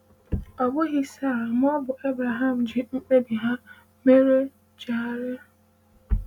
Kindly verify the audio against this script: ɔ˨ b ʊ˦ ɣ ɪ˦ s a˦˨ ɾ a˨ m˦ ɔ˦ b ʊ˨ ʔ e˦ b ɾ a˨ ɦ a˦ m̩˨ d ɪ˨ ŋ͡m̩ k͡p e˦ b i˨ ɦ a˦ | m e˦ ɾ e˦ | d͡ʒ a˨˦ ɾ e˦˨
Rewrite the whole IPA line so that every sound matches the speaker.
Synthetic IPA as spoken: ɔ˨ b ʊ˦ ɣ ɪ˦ s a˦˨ ɾ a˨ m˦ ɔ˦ b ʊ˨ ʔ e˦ b ɾ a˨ ɦ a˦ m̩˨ d͡ʒ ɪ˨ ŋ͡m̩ k͡p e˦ b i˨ ɦ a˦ | m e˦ ɾ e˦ | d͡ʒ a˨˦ ɾ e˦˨